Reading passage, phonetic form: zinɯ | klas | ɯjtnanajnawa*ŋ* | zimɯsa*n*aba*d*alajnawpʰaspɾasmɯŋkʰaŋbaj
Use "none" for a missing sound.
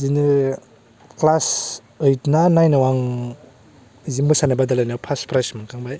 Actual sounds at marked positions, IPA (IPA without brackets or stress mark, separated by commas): ŋ, n, d